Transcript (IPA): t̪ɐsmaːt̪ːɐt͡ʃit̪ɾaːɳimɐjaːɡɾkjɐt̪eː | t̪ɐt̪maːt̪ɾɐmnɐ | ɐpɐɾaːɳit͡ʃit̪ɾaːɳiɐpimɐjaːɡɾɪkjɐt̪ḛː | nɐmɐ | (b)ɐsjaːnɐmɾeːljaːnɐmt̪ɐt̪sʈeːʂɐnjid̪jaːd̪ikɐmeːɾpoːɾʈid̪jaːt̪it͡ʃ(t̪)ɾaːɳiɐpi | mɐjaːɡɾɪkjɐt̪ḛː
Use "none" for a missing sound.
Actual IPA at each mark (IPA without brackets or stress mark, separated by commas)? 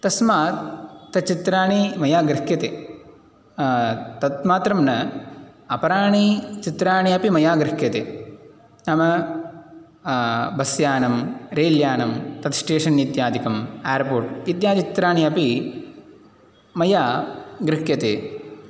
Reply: b, t̪